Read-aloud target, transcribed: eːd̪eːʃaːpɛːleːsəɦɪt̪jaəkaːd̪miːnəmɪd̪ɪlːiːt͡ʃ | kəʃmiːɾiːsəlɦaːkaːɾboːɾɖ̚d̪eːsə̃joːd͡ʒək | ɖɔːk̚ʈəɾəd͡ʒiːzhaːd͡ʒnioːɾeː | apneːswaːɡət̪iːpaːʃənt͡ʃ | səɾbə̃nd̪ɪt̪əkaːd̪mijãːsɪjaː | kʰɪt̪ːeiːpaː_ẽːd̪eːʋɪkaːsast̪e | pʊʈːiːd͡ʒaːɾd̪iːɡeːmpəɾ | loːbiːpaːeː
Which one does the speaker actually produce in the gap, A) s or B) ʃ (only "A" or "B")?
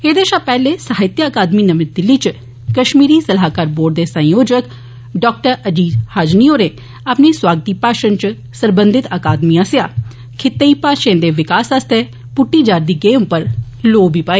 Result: B